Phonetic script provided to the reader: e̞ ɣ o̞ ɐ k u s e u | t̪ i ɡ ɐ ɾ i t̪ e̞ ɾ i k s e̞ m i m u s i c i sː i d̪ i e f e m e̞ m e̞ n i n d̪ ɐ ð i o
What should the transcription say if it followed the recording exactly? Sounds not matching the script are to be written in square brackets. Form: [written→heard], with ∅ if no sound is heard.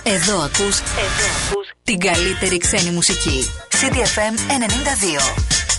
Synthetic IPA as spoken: e̞ [ɣ→ð] o̞ ɐ k u s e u | t̪ i ɡ ɐ [ɾ→l] i t̪ e̞ ɾ i k s e̞ [m→n] i m u s i c i [sː→s] i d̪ i e f e m e̞ [m→n] e̞ n i n d̪ ɐ ð i o